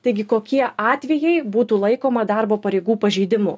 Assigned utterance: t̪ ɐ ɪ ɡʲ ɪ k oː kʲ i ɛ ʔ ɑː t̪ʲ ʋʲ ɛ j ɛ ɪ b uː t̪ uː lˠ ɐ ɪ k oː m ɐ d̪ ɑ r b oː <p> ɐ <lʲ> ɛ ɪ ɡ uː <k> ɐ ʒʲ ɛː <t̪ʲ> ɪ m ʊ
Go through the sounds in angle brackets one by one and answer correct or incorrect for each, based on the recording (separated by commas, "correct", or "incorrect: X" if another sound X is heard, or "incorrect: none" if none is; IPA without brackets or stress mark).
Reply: correct, incorrect: ɾʲ, incorrect: p, incorrect: d̪ʲ